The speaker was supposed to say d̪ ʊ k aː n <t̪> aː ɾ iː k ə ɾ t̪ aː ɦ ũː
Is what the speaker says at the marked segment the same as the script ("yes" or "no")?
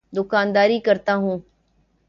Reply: no